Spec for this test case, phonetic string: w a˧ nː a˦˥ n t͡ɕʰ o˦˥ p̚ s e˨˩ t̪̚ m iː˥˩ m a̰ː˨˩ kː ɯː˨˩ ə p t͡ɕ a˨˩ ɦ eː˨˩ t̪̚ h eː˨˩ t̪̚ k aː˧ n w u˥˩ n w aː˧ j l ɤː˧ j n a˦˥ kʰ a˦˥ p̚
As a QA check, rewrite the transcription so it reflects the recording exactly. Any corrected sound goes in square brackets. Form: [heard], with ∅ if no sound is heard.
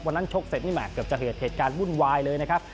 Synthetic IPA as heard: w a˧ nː a˦˥ n t͡ɕʰ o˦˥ [k̚] s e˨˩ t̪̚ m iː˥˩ m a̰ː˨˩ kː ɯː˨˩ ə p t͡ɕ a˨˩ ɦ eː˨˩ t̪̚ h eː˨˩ t̪̚ k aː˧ n w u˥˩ n w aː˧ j l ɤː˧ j n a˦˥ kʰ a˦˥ p̚